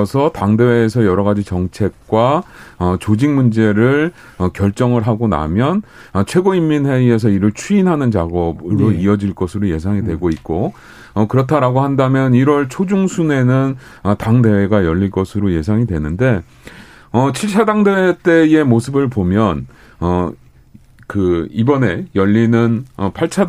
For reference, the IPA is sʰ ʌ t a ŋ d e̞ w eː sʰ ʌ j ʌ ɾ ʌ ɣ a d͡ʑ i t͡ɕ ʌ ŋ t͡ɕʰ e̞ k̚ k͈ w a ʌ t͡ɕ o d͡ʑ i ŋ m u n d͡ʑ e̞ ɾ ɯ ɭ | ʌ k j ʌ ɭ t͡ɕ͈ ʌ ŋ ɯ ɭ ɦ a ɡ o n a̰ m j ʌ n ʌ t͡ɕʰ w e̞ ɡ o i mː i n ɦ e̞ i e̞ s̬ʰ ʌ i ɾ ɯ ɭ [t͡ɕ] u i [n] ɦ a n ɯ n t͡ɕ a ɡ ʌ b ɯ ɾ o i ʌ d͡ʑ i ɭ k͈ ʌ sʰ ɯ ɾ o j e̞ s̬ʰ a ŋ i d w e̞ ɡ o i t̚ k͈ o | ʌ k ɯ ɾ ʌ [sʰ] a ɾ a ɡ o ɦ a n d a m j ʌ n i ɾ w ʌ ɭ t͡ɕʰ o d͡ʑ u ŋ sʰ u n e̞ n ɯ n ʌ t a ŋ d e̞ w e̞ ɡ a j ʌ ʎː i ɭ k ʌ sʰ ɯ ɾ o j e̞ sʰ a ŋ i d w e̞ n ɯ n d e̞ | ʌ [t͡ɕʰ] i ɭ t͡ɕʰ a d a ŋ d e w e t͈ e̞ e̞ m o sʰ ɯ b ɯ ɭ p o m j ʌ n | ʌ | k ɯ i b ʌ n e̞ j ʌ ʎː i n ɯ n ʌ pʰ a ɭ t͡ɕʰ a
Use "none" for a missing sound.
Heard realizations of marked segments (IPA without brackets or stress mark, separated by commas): t͡ɕʰ, n, tʰ, t͡ɕʰ